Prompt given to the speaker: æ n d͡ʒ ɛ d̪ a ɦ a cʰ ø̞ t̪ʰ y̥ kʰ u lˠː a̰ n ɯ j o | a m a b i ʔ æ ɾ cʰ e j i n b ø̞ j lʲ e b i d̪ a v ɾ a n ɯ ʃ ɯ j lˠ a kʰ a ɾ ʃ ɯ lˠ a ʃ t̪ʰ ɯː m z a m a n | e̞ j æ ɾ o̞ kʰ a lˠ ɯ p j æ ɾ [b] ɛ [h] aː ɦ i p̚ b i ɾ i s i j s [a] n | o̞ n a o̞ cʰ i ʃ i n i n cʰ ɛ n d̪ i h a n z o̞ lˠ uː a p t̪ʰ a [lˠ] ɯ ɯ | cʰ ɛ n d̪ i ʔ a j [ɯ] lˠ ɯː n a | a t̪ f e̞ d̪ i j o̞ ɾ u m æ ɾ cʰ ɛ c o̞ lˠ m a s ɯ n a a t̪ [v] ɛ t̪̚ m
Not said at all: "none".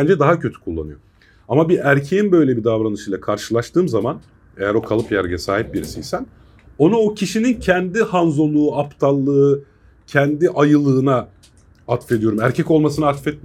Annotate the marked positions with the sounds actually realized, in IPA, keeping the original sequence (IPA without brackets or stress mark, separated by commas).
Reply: ɟ, s, æ, lˠː, ɯ, f